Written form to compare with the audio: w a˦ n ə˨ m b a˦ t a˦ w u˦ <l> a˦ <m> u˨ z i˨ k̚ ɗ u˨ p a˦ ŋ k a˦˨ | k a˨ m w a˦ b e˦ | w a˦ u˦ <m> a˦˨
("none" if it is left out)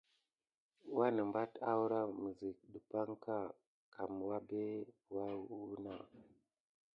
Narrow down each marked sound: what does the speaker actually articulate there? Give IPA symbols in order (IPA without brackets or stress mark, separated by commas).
ɾ, m, n